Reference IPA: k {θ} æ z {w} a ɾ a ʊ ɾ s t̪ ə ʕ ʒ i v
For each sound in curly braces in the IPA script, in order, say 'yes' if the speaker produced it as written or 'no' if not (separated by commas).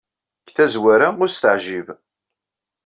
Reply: yes, yes